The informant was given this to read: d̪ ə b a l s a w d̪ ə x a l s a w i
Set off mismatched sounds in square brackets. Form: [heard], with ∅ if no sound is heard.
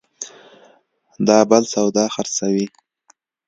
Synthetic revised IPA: d̪ [ɑ] b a l s a w d̪ [ɑ] x a [ɾ] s a w i